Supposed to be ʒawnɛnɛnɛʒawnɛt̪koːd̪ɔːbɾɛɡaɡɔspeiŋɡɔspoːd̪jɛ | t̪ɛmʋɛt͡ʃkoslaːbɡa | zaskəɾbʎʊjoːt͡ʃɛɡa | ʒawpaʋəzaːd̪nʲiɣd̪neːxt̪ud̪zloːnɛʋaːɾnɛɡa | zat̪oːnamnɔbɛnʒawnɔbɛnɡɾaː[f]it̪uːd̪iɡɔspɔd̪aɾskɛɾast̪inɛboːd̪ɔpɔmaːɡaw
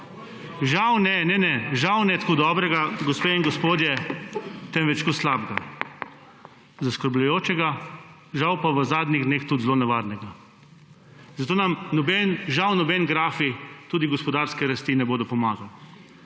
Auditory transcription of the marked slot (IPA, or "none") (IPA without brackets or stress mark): f